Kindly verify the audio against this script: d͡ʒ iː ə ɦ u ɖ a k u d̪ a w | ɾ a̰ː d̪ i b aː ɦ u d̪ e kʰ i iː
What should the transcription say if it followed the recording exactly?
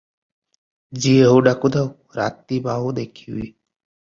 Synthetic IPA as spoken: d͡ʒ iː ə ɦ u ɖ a k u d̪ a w | ɾ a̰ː t̪ i b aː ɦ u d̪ e kʰ i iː